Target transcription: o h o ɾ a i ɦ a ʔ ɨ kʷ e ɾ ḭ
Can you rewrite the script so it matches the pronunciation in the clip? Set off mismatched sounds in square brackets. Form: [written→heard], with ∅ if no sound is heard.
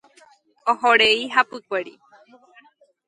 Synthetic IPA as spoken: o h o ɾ [a→e] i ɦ a [ʔ→p] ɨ kʷ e ɾ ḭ